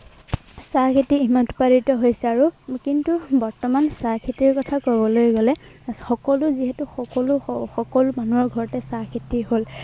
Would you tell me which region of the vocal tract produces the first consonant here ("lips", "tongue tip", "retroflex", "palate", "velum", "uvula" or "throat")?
tongue tip